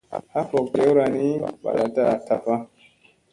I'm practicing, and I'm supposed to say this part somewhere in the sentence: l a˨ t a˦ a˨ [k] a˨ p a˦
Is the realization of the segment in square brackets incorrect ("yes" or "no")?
yes